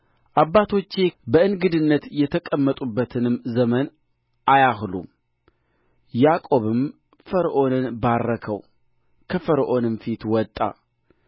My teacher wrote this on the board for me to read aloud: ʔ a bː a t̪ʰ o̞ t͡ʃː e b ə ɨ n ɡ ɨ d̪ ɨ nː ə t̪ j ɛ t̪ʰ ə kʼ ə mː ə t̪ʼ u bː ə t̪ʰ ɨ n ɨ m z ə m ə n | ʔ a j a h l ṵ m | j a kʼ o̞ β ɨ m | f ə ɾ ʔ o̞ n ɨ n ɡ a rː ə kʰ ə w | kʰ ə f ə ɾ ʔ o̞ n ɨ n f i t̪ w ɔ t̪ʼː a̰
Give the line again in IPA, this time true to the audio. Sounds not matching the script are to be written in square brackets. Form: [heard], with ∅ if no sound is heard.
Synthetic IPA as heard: ʔ a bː a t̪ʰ o̞ t͡ʃː e b ə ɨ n ɡ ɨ d̪ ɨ nː ə t̪ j ɛ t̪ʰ ə kʼ ə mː ə t̪ʼ u bː ə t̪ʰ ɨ n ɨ m z ə m ə n | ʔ a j a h l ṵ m | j a kʼ o̞ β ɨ m | f ə ɾ ʔ o̞ n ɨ n [b] a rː ə kʰ ə w | kʰ ə f ə ɾ ʔ o̞ n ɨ n f i t̪ w ɔ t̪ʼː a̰

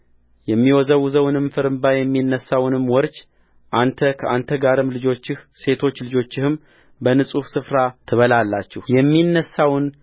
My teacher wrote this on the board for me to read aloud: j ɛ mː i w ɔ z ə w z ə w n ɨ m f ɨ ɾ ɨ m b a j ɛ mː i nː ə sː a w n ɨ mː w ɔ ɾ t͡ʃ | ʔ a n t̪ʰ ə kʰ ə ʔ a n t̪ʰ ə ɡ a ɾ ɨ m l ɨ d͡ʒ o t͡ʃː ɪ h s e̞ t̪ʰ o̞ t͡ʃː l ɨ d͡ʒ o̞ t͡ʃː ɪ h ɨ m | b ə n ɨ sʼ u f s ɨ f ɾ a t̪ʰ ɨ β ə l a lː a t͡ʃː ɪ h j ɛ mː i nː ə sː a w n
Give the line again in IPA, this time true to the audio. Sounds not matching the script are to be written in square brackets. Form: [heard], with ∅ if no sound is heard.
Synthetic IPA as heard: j ɛ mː i w ɔ z ə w z ə w n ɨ m f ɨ ɾ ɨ m b a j ɛ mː i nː ə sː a w n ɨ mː w ɔ ɾ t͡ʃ | ʔ a n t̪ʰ ə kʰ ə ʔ a n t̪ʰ ə ɡ a ɾ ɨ m l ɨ d͡ʒ o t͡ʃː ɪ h s e̞ t̪ʰ o̞ t͡ʃː l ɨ d͡ʒ o̞ t͡ʃː ɪ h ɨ m | b ə n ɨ sʼ u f s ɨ f ɾ a t̪ʰ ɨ β ə l a lː a t͡ʃː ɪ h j ɛ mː i nː ə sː a w n

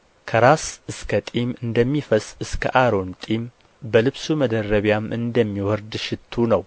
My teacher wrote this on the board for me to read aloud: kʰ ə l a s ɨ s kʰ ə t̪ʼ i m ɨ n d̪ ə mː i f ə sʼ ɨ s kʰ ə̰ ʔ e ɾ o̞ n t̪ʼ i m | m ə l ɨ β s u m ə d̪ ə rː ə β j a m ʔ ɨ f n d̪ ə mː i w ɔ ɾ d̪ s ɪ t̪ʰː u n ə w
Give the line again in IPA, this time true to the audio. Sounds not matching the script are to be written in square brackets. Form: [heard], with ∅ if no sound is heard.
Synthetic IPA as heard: kʰ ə [ɾ] a s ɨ s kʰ ə t̪ʼ i m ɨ n d̪ ə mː i f ə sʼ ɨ s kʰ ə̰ ʔ [a] ɾ o̞ n t̪ʼ i m | [b] ə l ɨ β s u m ə d̪ ə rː ə β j a m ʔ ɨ [∅] n d̪ ə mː i w ɔ ɾ d̪ [ʃ] ɪ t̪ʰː u n ə w

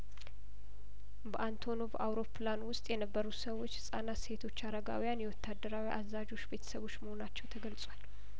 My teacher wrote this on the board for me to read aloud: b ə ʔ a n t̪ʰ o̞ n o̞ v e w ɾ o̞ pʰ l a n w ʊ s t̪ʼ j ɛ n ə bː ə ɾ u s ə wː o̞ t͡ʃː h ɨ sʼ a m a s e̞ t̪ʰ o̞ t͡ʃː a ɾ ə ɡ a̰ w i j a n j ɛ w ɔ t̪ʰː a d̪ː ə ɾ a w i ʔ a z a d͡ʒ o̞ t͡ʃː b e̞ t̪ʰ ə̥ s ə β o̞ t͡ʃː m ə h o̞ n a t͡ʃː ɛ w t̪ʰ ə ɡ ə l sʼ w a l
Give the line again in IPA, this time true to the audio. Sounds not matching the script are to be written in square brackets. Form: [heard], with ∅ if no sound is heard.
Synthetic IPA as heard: b ə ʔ a n t̪ʰ o̞ n o̞ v [a] w ɾ o̞ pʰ l a n w ʊ s t̪ʼ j ɛ n ə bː ə ɾ u s ə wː o̞ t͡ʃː h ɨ sʼ a [n] a s e̞ t̪ʰ o̞ t͡ʃː a ɾ ə ɡ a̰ w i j a n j ɛ w ɔ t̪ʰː a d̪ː ə ɾ a w i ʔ a z a d͡ʒ o̞ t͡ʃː b e̞ t̪ʰ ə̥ s ə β o̞ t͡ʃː m ə h o̞ n a t͡ʃː ɛ w t̪ʰ ə ɡ ə l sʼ w a l

